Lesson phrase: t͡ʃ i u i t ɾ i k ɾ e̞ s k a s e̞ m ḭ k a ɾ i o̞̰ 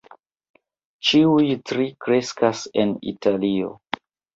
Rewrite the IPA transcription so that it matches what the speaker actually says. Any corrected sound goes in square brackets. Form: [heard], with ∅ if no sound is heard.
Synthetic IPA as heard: t͡ʃ i u [j] t ɾ i k ɾ e̞ s k a s e̞ [n] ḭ [t] a [l] i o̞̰